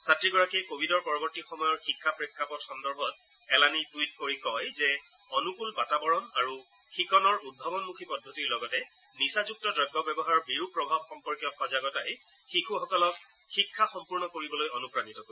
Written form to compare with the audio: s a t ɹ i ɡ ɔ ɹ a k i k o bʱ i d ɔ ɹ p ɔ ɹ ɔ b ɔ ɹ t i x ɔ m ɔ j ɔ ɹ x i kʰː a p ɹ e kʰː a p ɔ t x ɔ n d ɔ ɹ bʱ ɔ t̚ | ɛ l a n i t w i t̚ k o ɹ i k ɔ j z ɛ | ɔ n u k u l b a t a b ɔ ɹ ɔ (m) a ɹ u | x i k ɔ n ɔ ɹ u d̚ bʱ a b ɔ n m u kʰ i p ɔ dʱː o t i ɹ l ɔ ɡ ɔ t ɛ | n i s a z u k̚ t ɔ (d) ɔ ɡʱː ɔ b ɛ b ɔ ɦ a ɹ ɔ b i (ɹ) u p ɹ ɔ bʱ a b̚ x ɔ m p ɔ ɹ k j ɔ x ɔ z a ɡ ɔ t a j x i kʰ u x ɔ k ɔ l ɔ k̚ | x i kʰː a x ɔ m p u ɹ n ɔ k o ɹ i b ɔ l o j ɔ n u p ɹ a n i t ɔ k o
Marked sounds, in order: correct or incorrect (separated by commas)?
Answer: incorrect, correct, correct